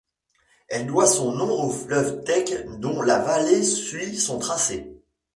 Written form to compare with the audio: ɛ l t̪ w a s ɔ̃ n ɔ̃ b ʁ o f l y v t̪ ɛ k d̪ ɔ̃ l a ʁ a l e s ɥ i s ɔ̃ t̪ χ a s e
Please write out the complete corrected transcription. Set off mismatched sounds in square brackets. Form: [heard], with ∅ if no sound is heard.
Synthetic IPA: ɛ l [d̪] w a s ɔ̃ n ɔ̃ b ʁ o f l [œ] v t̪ ɛ k d̪ ɔ̃ l a [v] a l e s ɥ i s ɔ̃ t̪ χ a s e